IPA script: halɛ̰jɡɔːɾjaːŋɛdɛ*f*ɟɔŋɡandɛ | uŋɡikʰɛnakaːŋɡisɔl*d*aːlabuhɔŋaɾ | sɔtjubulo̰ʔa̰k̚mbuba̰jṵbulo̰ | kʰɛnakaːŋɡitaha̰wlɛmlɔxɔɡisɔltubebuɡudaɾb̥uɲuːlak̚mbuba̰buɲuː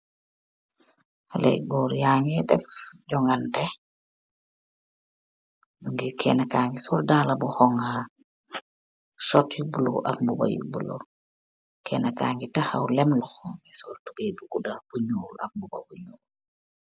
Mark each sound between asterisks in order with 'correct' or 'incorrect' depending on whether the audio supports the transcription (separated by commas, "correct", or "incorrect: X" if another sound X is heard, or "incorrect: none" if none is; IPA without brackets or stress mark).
correct, correct